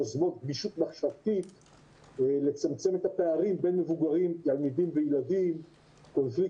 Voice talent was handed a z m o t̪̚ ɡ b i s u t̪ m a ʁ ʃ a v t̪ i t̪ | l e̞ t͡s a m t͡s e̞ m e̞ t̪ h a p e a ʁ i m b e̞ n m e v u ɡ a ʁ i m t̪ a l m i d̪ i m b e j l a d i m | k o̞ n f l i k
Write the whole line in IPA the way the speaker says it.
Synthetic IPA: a z m o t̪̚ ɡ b i ʃ u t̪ m a χ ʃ a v t̪ i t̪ | l e̞ t͡s a m t͡s e̞ m e̞ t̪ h a p e a ʁ i m b e̞ n m e v u ɡ a ʁ i m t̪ a l m i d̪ i m v e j l a d i m | k o̞ n f l i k